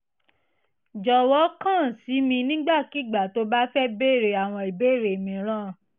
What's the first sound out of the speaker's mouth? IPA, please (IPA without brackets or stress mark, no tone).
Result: d͡ʒ